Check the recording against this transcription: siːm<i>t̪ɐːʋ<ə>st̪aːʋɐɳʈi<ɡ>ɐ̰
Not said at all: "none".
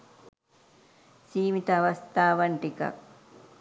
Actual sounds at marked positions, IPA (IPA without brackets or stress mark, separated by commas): i, ɐ, k